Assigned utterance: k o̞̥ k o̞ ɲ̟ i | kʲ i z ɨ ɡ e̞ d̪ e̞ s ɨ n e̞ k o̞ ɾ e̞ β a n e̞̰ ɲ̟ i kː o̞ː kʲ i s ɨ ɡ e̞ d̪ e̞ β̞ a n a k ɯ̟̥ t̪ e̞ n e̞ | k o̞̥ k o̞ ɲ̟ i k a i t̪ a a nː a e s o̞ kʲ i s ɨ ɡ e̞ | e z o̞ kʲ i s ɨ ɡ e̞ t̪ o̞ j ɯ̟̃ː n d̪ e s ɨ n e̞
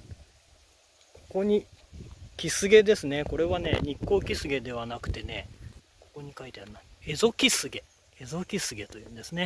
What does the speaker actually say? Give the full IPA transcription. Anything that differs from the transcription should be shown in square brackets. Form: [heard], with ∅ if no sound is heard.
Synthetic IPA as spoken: k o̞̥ k o̞ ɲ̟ i | kʲ i [s] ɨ ɡ e̞ d̪ e̞ s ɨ n e̞ k o̞ ɾ e̞ β a n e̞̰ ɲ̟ i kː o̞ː kʲ i s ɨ ɡ e̞ d̪ e̞ β̞ a n a k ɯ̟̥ t̪ e̞ n e̞ | k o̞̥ k o̞ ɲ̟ i k a i t̪ [e] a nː a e [z] o̞ kʲ i s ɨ ɡ e̞ | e z o̞ kʲ i s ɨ ɡ e̞ t̪ o̞ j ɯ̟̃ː n d̪ e s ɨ n e̞